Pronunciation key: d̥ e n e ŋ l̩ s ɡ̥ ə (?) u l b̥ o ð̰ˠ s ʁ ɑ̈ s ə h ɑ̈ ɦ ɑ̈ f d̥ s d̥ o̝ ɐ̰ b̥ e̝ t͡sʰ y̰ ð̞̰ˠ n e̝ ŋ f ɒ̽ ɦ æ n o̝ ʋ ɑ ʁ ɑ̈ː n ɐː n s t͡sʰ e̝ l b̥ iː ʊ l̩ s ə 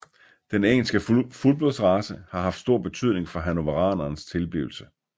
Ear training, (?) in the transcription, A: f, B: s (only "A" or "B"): A